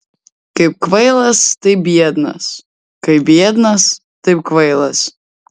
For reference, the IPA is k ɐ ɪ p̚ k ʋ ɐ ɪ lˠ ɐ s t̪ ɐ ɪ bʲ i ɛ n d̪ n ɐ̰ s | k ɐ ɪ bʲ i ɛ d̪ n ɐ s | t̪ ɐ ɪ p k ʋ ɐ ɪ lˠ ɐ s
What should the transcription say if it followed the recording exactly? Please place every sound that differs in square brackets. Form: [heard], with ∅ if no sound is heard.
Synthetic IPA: k ɐ ɪ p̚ k ʋ ɐ ɪ lˠ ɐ s t̪ ɐ ɪ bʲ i ɛ [∅] d̪ n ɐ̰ s | k ɐ ɪ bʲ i ɛ d̪ n ɐ s | t̪ ɐ ɪ p k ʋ ɐ ɪ lˠ ɐ s